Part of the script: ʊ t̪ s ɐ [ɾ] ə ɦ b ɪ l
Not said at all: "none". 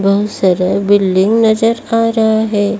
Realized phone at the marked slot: ɾ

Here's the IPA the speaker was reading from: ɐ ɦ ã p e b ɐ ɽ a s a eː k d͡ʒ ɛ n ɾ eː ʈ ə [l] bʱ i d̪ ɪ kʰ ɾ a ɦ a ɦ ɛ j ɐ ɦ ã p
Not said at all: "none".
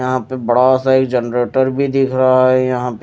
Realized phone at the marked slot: ɾ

